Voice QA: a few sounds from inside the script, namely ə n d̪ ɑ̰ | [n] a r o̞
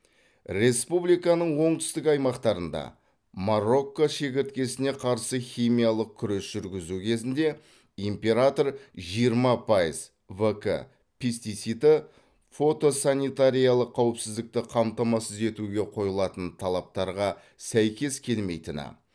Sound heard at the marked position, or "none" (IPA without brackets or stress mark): m